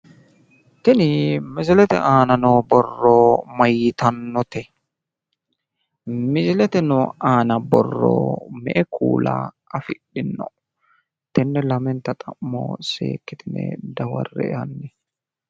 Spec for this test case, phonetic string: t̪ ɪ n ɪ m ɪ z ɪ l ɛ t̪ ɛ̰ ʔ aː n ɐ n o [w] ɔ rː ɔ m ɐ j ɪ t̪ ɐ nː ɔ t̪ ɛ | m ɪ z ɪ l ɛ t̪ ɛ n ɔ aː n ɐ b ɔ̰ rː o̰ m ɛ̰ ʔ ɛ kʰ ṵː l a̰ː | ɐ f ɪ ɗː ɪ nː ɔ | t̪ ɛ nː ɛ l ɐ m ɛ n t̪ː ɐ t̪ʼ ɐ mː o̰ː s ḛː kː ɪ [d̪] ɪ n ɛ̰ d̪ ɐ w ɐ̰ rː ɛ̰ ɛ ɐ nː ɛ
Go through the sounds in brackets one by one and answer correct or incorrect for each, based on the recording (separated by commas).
incorrect, incorrect